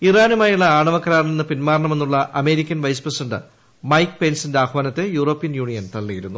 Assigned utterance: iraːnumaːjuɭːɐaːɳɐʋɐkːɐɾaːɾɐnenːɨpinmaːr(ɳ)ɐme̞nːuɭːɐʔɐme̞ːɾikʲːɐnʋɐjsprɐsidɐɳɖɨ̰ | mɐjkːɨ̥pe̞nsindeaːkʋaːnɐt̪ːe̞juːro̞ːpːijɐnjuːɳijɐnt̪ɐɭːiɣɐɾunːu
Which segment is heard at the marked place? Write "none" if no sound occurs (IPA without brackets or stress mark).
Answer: ɳ